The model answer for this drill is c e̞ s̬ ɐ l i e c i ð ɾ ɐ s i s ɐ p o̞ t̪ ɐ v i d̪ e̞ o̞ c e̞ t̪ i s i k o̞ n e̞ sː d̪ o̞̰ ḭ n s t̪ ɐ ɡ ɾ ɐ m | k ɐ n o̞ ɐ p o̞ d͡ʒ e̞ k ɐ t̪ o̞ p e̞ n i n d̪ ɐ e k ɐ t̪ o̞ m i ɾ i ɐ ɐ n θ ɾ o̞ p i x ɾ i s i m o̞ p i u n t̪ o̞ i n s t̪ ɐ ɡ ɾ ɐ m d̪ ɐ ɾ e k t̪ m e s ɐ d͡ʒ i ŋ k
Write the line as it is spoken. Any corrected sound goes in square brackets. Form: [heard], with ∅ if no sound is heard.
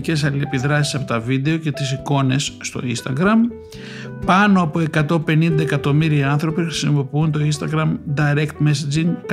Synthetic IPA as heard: c e̞ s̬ ɐ l i e [p] i ð ɾ ɐ s i s ɐ p o̞ t̪ ɐ v i d̪ e̞ o̞ c e̞ t̪ i s i k o̞ n e̞ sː [t̪] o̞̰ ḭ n s t̪ ɐ ɡ ɾ ɐ m | [p] ɐ n o̞ ɐ p o̞ [∅] e̞ k ɐ t̪ o̞ p e̞ n i n d̪ ɐ e k ɐ t̪ o̞ m i ɾ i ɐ ɐ n θ ɾ o̞ p i x ɾ i s i m o̞ p i u n t̪ o̞ i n s t̪ ɐ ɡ ɾ ɐ m d̪ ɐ ɾ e k t̪ m e s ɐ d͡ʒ i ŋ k